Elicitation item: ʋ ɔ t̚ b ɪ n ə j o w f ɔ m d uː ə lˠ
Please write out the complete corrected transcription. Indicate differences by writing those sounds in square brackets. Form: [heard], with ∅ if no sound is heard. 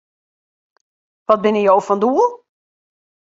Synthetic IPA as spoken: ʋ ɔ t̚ b ɪ n ə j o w f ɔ [n] d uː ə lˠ